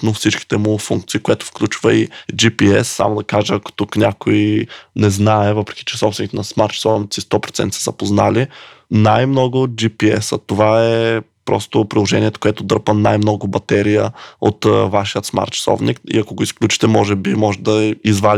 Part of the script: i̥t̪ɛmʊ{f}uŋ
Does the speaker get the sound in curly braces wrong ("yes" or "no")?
no